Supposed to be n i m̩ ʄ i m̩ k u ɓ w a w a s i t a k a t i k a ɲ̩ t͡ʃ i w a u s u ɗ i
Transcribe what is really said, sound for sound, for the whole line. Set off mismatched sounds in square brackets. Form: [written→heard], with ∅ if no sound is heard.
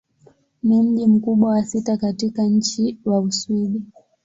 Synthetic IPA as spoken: n i m̩ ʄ i m̩ k u ɓ w a w a s i t a k a t i k a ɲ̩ t͡ʃ i w a u s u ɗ i